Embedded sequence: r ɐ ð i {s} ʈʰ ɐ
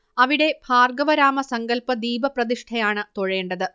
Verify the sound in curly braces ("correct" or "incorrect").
incorrect